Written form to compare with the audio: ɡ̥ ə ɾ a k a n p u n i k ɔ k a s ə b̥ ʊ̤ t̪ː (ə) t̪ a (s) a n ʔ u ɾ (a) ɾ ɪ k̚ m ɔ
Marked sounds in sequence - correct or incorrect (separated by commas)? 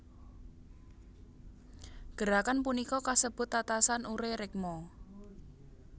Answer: incorrect, correct, incorrect